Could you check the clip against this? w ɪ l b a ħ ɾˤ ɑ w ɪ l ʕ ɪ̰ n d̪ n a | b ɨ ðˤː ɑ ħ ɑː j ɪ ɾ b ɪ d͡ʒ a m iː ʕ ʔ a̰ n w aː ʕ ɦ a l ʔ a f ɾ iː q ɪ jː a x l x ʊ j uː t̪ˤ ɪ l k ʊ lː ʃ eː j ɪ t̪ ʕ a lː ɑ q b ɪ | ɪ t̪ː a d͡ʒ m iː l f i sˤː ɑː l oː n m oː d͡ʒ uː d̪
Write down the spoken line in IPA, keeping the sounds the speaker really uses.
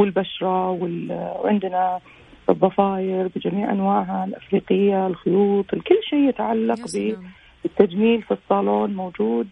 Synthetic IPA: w ɪ l b a ʃ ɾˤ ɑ w ɪ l ʕ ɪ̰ n d̪ n a | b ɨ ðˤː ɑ f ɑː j ɪ ɾ b ɪ d͡ʒ a m iː ʕ ʔ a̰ n w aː ʕ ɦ a l ʔ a f ɾ iː q ɪ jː a l x ʊ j uː t̪ˤ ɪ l k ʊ lː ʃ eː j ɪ t̪ ʕ a lː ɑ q b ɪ | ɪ t̪ː a d͡ʒ m iː l f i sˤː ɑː l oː n m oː d͡ʒ uː d̪